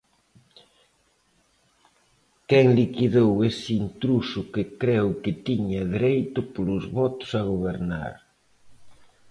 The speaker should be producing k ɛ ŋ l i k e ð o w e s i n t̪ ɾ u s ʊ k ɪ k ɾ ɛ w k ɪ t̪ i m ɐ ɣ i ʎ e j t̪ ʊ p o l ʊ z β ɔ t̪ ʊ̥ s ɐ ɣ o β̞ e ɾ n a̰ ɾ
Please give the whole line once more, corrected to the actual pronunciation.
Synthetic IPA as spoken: k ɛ ŋ l i k i ð o w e s i n t̪ ɾ u s ʊ k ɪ k ɾ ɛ w k ɪ t̪ i ɲ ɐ ð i ɾ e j t̪ ʊ p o l ʊ z β ɔ t̪ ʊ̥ s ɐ ɣ o β̞ e ɾ n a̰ ɾ